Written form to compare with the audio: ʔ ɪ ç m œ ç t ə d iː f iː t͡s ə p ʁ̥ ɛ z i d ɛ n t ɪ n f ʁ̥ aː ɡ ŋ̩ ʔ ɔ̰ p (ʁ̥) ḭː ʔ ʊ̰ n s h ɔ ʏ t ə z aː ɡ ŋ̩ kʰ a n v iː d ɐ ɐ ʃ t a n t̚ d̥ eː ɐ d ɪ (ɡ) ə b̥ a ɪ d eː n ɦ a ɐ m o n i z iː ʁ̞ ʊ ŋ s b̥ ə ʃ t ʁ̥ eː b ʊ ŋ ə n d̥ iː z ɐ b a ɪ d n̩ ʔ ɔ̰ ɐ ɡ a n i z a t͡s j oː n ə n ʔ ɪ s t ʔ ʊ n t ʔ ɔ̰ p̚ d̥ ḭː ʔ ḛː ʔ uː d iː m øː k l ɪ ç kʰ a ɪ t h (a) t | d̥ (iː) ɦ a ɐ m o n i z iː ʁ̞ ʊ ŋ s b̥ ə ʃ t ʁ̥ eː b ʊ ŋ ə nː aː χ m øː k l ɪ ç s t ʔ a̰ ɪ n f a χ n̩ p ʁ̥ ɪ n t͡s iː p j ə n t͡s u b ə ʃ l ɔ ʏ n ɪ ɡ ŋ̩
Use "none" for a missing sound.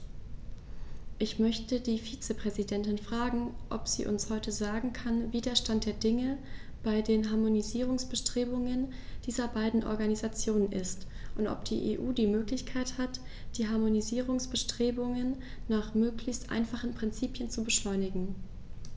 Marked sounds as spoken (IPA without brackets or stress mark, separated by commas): z̥, ŋ, a, iː